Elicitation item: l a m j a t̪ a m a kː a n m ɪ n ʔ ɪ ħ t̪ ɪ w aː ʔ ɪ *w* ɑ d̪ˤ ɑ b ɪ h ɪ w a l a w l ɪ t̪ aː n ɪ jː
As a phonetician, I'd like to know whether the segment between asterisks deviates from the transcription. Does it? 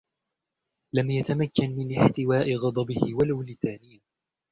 yes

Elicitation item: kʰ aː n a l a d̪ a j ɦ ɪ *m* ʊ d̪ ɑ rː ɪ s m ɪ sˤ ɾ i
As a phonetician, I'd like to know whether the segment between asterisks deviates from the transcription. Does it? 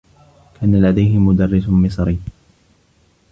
no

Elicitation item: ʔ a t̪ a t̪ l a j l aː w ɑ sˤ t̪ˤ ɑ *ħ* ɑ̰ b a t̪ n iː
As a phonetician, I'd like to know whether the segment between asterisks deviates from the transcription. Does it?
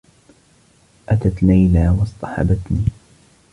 no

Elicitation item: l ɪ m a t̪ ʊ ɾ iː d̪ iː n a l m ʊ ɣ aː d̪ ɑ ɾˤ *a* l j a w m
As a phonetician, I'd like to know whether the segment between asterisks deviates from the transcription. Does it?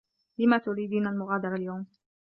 no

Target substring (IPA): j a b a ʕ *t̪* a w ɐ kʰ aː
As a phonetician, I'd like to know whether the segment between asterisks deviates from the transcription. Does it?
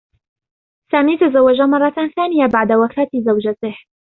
yes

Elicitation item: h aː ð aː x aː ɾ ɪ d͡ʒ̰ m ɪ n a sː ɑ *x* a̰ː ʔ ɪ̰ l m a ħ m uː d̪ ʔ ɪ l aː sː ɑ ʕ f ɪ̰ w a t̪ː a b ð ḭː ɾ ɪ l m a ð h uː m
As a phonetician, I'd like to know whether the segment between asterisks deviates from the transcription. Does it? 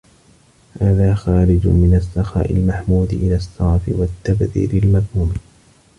no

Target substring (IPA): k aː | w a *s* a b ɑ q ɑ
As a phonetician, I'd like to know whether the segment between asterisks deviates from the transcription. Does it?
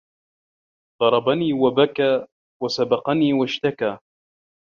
no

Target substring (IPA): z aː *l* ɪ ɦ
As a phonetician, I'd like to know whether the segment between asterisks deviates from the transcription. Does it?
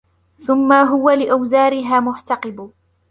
yes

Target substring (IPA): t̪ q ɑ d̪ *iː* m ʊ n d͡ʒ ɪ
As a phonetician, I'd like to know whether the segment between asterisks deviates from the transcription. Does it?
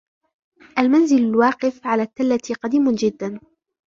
no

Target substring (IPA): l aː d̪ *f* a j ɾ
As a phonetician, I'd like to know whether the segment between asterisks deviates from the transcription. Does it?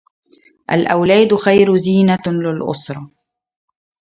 yes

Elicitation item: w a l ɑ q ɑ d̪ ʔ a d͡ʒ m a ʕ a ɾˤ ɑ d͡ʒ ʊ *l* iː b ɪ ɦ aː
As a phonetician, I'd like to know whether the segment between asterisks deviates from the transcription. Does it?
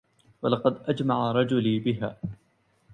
no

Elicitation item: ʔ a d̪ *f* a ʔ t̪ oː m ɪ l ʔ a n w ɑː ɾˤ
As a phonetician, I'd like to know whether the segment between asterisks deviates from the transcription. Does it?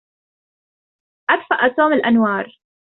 no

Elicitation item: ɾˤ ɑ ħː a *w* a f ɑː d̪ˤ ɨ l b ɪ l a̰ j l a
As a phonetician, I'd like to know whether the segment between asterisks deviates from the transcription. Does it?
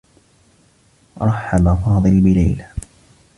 yes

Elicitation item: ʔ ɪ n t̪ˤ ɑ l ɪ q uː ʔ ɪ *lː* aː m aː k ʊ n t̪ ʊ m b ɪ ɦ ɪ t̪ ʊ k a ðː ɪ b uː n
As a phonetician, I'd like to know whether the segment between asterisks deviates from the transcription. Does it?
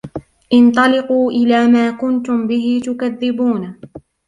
yes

